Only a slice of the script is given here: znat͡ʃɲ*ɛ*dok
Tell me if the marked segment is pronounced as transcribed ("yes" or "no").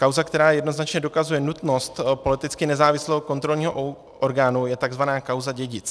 yes